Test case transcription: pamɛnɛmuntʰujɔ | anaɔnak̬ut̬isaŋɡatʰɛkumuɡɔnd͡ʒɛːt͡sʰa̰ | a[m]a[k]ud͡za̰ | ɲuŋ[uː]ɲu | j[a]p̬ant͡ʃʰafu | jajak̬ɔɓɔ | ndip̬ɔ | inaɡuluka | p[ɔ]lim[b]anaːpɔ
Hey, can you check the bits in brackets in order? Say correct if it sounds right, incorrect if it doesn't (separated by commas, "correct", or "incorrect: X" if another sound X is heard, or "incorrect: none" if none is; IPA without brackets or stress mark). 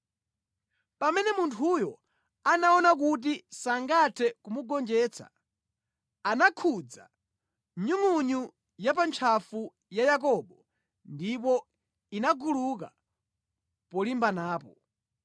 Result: incorrect: n, incorrect: kʰ, incorrect: u, correct, correct, correct